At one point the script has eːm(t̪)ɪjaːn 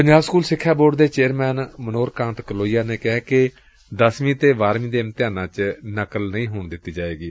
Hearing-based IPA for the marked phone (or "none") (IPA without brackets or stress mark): t̪